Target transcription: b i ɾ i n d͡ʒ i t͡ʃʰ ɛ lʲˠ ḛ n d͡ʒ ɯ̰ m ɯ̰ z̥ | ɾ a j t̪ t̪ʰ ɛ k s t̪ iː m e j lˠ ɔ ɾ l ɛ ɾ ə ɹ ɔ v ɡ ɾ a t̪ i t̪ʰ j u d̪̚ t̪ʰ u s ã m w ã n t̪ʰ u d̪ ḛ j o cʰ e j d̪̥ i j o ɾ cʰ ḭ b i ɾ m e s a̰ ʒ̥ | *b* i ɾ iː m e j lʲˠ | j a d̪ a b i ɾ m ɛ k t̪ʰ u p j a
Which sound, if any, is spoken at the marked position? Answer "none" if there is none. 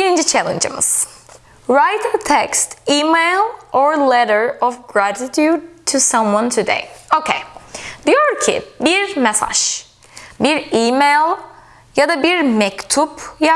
b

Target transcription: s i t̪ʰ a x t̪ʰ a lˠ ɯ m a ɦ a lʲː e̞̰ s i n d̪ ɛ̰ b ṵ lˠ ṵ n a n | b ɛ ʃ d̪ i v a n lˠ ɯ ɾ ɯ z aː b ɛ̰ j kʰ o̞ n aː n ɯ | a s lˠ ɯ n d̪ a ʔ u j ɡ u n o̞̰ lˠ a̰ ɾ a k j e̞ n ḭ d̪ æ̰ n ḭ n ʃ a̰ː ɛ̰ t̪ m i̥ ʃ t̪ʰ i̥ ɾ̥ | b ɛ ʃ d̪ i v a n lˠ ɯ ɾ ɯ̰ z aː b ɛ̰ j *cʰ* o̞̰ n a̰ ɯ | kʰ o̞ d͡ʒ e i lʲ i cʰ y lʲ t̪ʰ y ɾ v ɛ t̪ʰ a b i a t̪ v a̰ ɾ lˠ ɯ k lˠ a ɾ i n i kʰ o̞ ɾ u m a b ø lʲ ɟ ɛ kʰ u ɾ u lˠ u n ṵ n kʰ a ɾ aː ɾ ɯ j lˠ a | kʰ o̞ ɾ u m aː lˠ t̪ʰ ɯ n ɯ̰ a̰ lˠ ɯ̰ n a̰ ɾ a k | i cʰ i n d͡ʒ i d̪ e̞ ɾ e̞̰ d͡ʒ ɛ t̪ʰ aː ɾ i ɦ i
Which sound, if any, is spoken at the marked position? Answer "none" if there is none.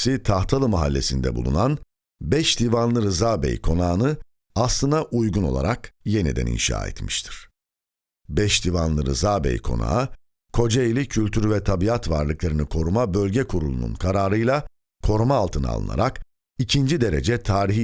kʰ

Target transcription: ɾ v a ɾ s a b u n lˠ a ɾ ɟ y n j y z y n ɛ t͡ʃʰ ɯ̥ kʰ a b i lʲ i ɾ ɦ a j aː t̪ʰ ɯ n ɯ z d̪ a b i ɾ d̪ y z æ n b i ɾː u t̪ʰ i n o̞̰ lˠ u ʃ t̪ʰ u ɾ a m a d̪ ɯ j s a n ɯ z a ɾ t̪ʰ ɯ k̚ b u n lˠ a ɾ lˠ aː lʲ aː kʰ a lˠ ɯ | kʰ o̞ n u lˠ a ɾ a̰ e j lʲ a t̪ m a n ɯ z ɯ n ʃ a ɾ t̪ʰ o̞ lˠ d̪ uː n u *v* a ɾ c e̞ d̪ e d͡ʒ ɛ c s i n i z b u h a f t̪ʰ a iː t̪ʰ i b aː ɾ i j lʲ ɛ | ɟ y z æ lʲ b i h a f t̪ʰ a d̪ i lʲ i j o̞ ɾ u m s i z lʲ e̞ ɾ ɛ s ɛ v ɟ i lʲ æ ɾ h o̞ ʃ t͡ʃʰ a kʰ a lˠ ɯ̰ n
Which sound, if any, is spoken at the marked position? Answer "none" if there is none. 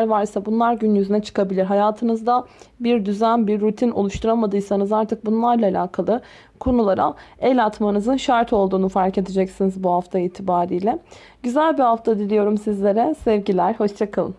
f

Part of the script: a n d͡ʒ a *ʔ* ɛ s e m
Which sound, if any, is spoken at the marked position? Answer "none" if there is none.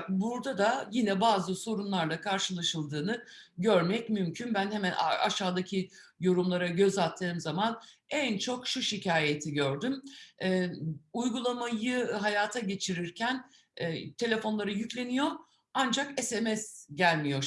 k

